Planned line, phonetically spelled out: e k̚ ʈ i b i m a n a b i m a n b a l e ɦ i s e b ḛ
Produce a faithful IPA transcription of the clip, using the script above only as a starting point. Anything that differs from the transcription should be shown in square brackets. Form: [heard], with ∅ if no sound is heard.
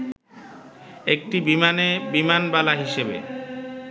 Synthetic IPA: e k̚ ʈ i b i m a n [e] b i m a n b a l [a] ɦ i [ʃ] e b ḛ